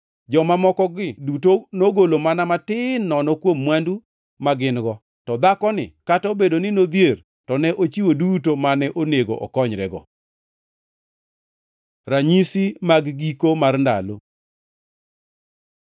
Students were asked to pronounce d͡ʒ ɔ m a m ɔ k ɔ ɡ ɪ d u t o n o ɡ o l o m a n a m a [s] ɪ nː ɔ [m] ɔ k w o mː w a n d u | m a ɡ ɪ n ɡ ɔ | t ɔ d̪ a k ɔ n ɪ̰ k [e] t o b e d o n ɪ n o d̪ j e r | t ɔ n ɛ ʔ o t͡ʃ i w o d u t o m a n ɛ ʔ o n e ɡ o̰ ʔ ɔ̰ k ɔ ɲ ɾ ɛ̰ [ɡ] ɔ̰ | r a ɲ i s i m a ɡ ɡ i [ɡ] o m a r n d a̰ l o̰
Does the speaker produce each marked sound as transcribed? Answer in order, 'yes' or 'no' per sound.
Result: no, no, no, yes, no

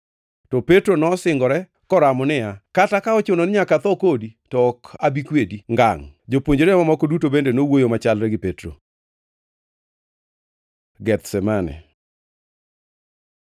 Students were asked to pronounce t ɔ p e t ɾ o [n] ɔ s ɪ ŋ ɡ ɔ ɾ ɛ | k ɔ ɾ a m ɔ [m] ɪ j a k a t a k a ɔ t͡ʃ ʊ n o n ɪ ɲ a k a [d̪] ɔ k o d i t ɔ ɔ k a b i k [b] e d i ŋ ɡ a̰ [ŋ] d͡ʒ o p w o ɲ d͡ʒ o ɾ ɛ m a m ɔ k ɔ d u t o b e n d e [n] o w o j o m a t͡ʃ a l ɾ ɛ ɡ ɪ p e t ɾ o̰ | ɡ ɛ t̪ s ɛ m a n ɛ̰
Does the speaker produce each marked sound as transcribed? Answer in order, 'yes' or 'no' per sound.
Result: yes, no, no, no, yes, yes

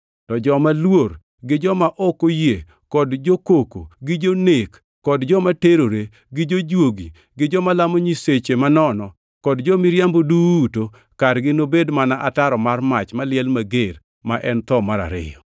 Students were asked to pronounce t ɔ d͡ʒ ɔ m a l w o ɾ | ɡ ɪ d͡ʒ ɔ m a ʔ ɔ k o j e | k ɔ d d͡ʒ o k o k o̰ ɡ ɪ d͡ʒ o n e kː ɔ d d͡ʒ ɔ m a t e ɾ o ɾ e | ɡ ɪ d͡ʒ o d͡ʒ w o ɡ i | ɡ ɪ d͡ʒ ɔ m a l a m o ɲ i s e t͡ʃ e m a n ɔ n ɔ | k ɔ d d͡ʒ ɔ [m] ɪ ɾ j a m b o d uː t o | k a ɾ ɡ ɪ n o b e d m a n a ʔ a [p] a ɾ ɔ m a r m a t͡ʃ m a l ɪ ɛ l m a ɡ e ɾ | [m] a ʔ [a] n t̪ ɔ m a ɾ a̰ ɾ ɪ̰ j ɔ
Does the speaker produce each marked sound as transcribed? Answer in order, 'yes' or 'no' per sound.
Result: yes, no, yes, no

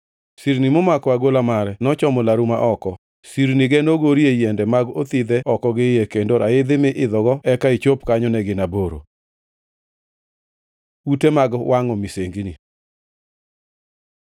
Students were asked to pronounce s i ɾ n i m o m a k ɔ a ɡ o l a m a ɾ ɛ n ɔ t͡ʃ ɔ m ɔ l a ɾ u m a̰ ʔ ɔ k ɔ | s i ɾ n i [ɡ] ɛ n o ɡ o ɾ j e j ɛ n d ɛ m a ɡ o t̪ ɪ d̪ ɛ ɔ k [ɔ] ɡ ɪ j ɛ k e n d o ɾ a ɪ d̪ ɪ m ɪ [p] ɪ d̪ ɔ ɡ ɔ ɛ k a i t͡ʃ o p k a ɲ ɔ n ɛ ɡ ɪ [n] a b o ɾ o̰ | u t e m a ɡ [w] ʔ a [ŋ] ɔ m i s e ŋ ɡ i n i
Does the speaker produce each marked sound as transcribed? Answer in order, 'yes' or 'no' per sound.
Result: yes, yes, no, yes, yes, yes

